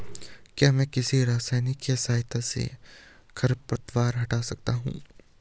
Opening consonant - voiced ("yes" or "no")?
no